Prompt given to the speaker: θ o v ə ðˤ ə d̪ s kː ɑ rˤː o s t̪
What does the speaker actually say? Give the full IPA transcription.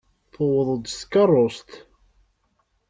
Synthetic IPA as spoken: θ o w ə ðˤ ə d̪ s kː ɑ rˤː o s t̪

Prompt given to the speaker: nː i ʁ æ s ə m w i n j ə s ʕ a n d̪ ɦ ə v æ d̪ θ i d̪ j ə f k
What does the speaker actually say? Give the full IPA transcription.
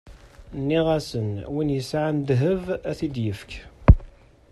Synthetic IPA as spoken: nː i ʁ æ s ə n w i n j ə s ʕ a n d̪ ɦ ə v æ θ i d̪ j ə f k

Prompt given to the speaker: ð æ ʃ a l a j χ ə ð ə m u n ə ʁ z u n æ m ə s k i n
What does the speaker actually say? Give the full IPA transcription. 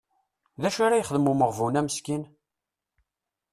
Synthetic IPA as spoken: ð æ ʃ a ɾ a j χ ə ð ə m u m ə ʁ v u n æ m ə s k i n

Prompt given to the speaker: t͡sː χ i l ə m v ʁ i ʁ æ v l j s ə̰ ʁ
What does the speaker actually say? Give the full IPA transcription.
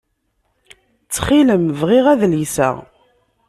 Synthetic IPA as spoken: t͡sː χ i l ə m v ʁ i ʁ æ ð l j s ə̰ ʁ

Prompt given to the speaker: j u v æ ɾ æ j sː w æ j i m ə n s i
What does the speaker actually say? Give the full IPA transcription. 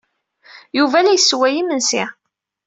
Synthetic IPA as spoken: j u v æ l æ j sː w æ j i m ə n s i

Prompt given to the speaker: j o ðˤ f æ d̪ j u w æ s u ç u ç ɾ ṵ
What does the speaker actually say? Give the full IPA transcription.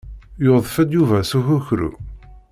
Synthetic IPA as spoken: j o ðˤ f æ d̪ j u v æ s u ç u ç ɾ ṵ

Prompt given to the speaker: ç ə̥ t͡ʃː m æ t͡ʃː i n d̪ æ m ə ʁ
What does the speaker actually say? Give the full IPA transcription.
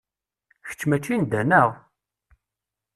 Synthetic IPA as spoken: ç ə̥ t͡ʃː m æ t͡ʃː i n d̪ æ n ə ʁ

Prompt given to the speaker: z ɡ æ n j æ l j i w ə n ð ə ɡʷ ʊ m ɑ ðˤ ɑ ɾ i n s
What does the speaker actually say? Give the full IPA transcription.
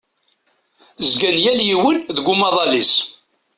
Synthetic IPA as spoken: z ɡ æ n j æ l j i w ə n ð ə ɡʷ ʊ m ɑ ðˤ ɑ l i s

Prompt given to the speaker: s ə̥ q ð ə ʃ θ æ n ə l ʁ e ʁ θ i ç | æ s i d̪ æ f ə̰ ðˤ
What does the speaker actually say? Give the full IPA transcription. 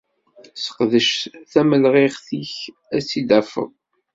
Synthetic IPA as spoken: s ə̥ q ð ə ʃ θ æ m ə l ʁ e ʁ θ i ç | æ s i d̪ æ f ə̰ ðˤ

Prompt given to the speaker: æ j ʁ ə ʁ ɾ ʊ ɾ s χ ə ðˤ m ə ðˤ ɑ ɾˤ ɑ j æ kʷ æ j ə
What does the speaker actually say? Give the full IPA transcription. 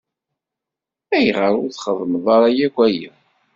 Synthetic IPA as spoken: æ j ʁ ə ɾ ʊ ɾ θ χ ə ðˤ m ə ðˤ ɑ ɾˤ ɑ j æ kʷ æ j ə

